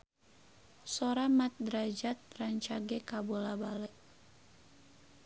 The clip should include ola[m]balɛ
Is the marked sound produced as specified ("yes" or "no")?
no